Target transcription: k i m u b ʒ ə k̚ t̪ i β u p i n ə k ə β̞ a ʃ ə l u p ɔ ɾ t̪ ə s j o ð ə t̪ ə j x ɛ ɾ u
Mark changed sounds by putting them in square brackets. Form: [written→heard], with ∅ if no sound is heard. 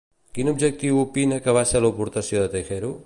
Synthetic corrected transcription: k i [m→n] u b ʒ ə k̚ t̪ i [β→w] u p i n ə k ə β̞ a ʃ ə l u p [ɔ→u] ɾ t̪ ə s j o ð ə t̪ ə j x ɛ ɾ u